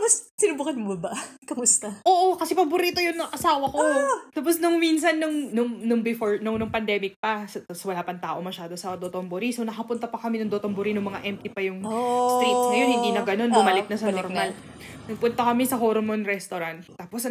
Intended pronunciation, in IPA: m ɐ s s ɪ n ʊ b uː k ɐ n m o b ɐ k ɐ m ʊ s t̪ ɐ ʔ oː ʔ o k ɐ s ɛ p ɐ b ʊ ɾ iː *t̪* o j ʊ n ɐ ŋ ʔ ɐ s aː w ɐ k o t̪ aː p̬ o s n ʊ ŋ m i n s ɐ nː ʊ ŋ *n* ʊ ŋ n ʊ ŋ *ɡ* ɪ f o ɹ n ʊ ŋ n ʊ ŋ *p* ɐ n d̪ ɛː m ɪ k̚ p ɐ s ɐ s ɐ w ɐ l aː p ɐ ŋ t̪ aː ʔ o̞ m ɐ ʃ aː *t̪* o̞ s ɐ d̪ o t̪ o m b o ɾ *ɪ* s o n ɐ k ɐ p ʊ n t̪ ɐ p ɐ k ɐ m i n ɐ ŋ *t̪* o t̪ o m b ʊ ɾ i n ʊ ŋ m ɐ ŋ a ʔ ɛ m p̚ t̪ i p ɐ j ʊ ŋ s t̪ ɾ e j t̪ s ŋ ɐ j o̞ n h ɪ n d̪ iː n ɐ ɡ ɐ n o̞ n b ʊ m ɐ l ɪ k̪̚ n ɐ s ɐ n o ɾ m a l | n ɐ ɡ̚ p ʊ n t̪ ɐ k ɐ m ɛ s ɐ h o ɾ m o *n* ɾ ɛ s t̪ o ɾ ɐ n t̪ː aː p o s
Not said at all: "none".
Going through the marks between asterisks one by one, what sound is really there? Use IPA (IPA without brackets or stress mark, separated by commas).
t̪, n, b, p, d̪, i, d̪, n